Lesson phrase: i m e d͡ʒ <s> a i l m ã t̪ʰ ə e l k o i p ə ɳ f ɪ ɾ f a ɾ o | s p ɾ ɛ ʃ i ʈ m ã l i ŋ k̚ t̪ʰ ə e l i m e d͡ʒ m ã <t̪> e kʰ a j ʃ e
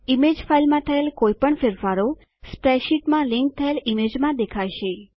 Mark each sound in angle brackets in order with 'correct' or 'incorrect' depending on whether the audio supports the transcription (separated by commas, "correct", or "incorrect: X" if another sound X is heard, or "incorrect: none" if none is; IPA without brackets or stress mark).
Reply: incorrect: f, incorrect: d̪